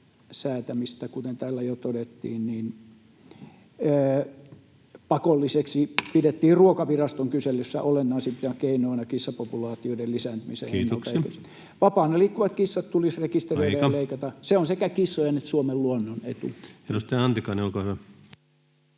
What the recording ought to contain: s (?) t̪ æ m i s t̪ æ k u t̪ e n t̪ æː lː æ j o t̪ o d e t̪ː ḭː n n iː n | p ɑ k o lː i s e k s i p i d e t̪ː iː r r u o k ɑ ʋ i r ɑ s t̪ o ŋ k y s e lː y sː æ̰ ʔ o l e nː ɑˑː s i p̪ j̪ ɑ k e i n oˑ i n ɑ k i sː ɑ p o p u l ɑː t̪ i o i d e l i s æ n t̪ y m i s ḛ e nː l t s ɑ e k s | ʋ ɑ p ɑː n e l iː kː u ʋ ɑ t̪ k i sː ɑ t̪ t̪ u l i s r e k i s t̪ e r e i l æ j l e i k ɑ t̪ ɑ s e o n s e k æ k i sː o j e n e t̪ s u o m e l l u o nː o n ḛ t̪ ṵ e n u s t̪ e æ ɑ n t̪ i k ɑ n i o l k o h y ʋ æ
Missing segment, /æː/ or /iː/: æː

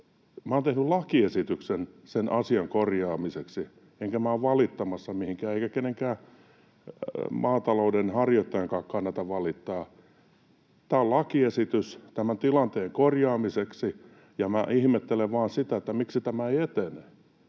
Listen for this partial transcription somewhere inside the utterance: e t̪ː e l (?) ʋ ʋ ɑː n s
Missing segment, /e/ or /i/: e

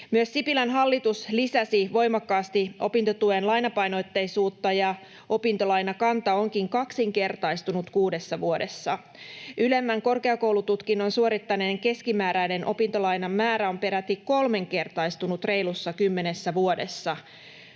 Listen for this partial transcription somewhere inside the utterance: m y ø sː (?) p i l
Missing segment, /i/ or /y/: i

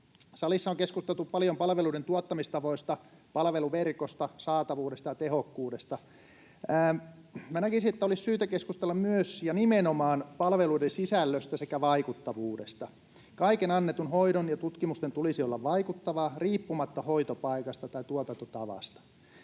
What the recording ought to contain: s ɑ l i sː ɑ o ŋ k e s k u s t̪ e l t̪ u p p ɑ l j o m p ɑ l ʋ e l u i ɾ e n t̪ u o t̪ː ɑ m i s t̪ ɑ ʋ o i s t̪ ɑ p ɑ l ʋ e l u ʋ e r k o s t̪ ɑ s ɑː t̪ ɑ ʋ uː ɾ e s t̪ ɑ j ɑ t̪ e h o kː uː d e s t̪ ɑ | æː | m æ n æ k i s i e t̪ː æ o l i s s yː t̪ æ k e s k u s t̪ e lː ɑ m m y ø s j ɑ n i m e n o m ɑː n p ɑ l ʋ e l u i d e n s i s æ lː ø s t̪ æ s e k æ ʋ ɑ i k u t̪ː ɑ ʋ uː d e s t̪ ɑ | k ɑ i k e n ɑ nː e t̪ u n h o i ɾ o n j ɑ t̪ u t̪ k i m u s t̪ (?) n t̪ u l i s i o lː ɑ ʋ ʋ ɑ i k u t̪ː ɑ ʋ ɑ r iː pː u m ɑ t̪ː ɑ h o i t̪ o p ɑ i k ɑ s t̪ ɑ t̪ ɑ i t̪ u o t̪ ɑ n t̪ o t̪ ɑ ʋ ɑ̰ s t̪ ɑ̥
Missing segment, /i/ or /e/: e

